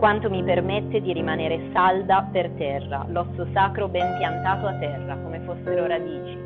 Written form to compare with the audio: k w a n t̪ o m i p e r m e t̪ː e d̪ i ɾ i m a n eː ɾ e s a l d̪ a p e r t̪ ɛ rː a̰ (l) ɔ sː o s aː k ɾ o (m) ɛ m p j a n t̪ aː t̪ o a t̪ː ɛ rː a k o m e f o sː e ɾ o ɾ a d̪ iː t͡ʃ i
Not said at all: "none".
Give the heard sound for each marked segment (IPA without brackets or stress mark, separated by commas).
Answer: l, b